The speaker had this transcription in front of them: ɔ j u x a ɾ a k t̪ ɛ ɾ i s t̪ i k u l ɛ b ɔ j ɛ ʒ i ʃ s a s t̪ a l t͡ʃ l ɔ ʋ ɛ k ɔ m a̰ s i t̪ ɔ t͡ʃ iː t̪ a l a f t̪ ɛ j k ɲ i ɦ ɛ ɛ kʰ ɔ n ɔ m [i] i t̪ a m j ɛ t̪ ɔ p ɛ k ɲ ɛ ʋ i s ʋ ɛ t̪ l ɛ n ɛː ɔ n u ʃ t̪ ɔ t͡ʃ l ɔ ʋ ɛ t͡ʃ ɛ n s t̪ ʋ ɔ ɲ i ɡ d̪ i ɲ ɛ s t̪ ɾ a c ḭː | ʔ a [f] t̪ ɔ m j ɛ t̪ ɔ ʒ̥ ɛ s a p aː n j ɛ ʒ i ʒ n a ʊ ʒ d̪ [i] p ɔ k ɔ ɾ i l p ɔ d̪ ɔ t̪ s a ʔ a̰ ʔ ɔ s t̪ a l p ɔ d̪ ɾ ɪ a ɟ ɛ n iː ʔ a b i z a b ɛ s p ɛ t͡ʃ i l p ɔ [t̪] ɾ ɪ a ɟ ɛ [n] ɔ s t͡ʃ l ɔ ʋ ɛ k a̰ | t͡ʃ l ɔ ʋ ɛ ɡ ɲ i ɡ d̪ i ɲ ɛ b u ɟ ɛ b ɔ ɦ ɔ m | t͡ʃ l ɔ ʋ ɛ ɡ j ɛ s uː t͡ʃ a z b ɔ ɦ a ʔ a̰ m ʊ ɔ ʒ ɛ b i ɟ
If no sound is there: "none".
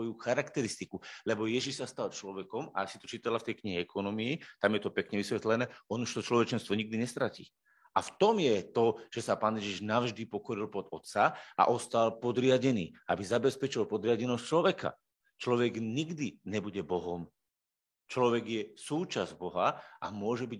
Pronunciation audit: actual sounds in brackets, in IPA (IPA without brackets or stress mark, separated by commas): i, f, i, d̪, n